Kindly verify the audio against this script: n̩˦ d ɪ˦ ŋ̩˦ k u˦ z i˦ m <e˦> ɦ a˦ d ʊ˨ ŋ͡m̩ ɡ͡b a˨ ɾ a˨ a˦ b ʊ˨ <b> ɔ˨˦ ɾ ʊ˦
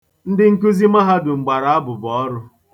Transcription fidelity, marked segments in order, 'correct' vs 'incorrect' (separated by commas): incorrect, correct